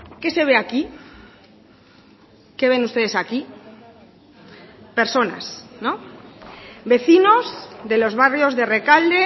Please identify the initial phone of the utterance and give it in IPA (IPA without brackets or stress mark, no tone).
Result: k